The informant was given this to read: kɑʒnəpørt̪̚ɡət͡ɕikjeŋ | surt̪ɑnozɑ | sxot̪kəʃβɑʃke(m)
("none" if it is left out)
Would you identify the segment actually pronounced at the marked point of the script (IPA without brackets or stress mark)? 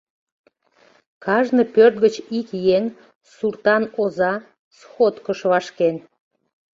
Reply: n